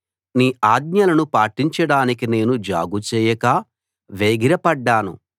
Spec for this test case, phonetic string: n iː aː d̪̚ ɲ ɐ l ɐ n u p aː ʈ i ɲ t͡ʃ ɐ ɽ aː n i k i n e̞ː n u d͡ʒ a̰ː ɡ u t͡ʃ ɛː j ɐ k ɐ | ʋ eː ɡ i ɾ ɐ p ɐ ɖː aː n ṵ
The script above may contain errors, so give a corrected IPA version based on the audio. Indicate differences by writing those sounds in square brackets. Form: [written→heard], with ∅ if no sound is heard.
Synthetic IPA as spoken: n iː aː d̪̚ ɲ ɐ l ɐ n u p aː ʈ i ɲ t͡ʃ ɐ ɽ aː n i k i n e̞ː n u d͡ʒ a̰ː ɡ u t͡ʃ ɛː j ɐ k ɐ | ʋ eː ɡ i ɾ ɐ p ɐ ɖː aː n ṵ